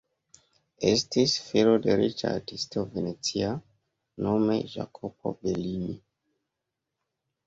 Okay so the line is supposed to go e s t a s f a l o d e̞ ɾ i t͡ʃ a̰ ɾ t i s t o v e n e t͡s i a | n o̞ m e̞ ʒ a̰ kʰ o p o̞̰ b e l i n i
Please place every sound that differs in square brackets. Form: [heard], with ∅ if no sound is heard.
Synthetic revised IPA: e s t [i] s f [i] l o d e̞ ɾ i t͡ʃ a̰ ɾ t i s t o v e n e t͡s i a | n o̞ m e̞ ʒ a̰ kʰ o p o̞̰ b e l i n i